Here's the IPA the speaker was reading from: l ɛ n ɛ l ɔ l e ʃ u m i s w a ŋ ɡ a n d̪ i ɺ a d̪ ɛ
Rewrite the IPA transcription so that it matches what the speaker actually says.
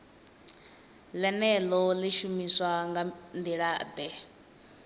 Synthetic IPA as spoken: l ɛ n ɛ l ɔ l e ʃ u m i s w a ŋ ɡ a n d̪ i ɺ a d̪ ɛ